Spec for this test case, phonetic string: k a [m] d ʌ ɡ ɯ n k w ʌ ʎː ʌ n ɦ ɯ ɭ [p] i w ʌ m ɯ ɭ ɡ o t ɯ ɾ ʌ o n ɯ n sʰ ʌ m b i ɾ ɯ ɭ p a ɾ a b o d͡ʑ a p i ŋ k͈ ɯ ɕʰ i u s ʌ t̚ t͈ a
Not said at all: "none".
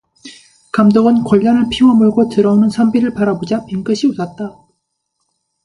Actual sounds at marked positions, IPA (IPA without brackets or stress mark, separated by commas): m, pʰ